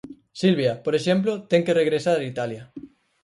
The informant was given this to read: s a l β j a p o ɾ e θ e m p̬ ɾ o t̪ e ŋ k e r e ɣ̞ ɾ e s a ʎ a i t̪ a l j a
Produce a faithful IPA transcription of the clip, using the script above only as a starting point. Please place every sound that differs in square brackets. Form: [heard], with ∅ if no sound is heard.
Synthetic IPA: s [i] l β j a p o ɾ e [ʃ] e m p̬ [l] o t̪ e ŋ k e r e ɣ̞ ɾ e s a [ɾ] a i t̪ a l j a